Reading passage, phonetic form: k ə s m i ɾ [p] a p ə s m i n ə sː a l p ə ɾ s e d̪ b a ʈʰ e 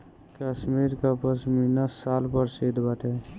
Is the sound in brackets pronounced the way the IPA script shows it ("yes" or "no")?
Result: no